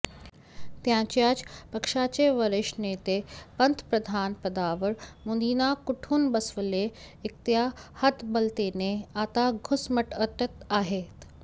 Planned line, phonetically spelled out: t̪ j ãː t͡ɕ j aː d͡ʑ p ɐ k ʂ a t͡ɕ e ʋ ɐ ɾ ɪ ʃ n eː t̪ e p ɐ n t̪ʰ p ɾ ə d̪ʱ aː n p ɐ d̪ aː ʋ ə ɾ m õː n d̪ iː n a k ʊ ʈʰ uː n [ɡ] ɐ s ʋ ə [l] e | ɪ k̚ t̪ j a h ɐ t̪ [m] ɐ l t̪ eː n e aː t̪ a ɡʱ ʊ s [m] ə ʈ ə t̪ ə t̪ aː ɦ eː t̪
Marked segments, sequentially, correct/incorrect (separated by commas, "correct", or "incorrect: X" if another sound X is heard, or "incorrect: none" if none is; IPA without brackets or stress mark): incorrect: b, correct, incorrect: b, correct